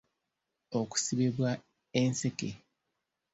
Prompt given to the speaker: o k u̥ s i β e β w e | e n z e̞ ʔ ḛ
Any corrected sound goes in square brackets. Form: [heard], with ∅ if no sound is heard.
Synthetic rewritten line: o k u̥ s i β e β w [a] | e n [s] e̞ [k] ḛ